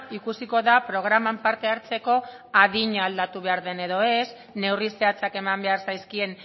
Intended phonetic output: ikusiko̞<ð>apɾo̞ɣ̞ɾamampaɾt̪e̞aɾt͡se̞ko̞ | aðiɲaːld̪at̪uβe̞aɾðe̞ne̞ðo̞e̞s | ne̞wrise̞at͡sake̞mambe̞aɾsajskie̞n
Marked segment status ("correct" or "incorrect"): correct